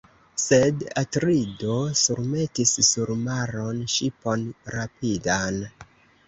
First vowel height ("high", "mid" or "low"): mid